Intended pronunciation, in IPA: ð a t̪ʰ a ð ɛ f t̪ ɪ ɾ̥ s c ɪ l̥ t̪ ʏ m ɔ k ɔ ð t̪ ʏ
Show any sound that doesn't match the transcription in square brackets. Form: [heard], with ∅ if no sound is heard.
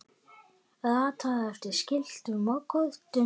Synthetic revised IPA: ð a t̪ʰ a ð ɛ f t̪ ɪ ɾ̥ s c ɪ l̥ t̪ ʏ m ɔ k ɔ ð t̪ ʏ